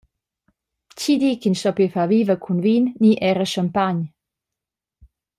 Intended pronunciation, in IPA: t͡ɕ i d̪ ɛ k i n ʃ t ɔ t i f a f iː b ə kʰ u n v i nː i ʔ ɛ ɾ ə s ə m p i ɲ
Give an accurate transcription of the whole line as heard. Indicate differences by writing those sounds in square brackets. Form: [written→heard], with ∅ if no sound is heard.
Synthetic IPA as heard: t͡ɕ i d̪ [ɛ→i] k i n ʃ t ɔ [t→p] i f a [f→v] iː [b→v] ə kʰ u n v i nː i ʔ ɛ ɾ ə [s→ʃ] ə m p [i→a] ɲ